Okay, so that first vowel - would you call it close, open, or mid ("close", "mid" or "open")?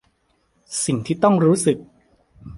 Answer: close